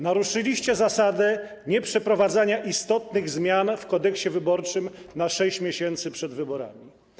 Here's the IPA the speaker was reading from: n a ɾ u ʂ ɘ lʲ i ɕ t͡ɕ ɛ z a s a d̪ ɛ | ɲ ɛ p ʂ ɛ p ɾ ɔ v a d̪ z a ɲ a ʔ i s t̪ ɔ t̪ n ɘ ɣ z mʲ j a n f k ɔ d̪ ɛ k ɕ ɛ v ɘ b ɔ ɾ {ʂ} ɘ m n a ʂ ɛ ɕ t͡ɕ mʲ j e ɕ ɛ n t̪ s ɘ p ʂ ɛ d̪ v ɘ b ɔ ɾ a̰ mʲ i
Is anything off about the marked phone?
yes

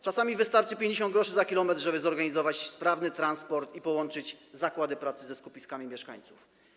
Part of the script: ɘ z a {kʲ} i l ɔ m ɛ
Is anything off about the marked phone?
no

